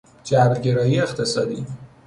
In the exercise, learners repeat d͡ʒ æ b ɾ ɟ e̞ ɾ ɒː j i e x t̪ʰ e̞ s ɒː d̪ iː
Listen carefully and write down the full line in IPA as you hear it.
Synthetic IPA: d͡ʒ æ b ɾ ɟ e̞ ɾ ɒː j i e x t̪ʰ e̞ s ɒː d̪ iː